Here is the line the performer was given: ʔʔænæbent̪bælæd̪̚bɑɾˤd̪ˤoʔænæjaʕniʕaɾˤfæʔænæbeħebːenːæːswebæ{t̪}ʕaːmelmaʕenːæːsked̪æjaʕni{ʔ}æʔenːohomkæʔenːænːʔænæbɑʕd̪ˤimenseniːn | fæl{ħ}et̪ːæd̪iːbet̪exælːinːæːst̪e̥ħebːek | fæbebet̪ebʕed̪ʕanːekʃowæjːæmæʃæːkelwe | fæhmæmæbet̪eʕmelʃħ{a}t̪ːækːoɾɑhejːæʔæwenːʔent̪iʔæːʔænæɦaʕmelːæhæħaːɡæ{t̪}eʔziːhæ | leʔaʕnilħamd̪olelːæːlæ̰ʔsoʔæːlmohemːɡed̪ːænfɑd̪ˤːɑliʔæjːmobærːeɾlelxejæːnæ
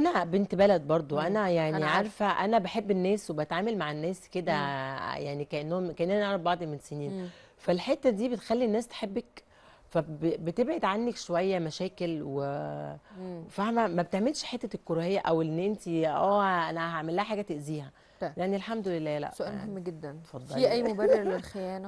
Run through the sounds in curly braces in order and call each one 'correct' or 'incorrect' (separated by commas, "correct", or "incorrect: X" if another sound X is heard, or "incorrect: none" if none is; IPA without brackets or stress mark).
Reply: correct, incorrect: k, correct, incorrect: e, correct